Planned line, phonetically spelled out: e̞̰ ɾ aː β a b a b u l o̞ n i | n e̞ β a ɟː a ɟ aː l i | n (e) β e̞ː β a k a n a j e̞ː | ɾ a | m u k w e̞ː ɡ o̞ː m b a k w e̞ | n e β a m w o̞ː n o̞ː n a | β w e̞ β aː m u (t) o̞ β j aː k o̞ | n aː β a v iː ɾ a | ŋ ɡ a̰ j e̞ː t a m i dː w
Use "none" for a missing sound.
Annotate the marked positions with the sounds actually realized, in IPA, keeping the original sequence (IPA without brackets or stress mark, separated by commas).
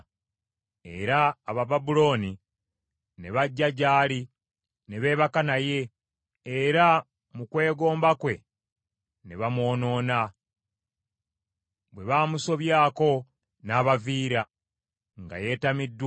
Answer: e, s